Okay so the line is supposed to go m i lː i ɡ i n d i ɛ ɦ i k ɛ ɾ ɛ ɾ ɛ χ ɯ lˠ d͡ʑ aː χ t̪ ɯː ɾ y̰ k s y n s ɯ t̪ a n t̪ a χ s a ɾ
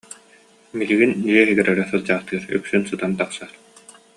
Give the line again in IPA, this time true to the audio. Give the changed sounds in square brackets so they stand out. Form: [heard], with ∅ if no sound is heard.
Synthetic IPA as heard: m i [l] i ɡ i n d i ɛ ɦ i [ɡ] ɛ ɾ ɛ ɾ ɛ [s] ɯ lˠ d͡ʑ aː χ t̪ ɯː ɾ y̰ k s y n s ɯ t̪ a n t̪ a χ s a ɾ